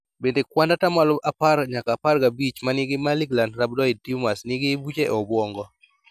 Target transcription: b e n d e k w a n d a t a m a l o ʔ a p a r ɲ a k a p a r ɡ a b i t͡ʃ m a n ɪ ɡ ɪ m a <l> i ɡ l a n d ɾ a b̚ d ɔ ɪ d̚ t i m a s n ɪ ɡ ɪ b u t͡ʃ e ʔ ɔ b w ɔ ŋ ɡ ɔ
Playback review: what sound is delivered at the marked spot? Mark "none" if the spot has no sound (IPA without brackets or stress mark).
l